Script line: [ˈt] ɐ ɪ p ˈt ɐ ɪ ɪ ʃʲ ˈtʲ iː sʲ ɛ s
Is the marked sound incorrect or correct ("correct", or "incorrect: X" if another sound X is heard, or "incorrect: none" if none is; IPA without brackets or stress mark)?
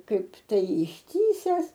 incorrect: k